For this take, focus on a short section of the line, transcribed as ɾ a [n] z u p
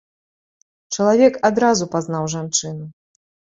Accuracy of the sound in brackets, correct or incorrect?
incorrect: none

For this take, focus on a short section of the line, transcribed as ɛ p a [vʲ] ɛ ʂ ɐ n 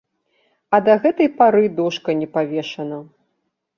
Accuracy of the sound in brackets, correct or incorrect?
correct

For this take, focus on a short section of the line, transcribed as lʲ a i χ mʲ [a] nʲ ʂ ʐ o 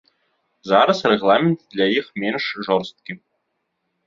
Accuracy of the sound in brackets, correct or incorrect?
incorrect: e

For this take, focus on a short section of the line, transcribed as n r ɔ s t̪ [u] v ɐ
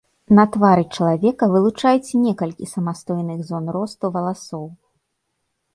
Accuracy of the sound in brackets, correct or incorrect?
correct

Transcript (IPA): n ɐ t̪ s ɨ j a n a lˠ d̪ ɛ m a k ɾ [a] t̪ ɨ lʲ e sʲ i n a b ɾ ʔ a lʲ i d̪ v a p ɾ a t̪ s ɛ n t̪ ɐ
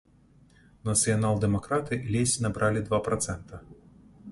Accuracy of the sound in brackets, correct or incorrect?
correct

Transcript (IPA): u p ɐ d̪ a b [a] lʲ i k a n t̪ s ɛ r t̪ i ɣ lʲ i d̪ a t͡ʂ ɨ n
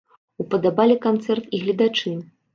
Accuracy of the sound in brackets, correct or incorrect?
correct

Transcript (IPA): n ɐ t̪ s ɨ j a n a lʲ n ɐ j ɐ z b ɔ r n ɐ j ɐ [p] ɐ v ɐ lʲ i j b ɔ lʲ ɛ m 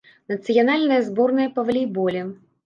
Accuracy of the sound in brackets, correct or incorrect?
correct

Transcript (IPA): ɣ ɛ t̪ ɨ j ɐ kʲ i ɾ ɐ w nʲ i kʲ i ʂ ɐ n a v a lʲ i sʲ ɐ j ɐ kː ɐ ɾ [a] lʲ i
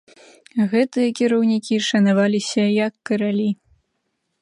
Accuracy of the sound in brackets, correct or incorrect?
correct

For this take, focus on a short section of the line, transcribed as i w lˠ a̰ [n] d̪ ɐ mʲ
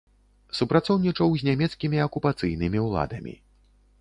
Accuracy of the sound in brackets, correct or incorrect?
incorrect: none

